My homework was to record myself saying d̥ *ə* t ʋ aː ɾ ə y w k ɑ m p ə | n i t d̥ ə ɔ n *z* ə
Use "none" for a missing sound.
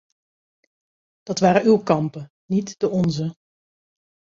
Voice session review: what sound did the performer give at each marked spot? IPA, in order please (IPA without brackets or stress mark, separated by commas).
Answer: ɑ, z